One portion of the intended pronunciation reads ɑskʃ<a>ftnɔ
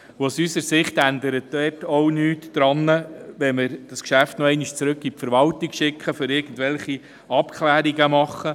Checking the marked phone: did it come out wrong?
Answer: yes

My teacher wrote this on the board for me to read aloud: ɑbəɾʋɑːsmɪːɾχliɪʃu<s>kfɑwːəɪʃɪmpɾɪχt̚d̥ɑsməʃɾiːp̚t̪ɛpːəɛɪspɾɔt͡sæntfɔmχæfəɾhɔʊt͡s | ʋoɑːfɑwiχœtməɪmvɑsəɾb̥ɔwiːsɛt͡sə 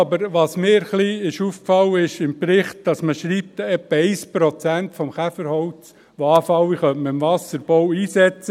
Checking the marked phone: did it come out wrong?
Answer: yes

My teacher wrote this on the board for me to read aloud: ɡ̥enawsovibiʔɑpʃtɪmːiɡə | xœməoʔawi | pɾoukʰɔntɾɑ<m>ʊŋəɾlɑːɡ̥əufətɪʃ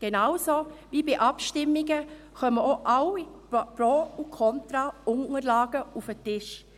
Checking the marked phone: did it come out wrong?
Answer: yes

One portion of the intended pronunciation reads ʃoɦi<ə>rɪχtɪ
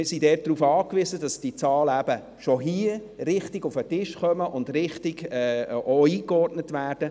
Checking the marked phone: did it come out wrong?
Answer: no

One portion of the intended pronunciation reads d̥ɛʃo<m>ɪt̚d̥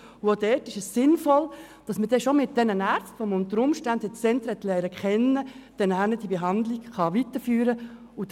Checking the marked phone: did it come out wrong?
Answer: no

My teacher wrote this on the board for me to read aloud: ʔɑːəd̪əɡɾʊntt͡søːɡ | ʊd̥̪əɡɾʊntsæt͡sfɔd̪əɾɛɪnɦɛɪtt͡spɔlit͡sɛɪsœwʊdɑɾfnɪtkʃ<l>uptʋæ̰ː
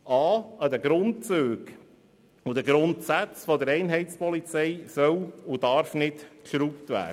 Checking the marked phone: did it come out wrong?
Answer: yes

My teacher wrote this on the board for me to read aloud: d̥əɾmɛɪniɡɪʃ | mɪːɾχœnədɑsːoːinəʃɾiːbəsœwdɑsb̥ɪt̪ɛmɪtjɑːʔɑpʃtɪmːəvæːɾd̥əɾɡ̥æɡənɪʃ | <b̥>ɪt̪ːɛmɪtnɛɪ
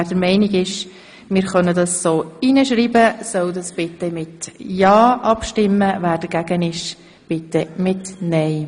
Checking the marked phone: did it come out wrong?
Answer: no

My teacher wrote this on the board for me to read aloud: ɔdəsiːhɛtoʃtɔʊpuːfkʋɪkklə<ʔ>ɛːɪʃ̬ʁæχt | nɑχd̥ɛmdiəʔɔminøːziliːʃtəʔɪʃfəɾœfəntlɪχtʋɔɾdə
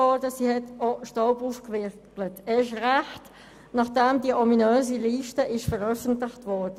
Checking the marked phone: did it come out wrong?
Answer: yes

